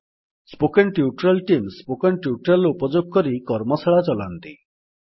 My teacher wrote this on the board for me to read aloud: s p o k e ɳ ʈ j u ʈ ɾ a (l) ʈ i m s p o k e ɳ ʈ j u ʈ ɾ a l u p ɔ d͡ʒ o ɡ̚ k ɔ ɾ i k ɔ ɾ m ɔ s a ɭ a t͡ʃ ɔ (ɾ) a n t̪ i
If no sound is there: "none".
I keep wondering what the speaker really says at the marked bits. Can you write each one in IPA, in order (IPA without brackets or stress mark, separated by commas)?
l, l